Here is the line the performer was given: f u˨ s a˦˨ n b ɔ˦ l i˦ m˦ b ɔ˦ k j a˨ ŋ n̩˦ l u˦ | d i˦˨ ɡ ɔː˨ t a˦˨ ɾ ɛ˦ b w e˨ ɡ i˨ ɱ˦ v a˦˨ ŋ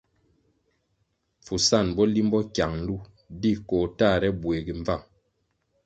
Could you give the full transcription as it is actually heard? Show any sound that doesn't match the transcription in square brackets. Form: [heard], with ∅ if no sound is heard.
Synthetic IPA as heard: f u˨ s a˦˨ n b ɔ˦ l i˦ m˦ b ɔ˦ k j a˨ ŋ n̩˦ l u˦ | d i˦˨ [k] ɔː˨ t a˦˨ ɾ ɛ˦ b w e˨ ɡ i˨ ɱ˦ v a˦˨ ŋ